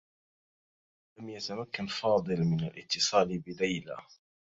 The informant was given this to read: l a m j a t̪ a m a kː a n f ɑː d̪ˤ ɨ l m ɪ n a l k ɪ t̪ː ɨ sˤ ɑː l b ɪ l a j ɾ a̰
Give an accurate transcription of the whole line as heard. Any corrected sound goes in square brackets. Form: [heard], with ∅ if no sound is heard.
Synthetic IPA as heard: l a m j a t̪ a m a kː a n f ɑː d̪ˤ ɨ l m ɪ n a l [ʔ] ɪ t̪ː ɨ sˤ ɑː l b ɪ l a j [l] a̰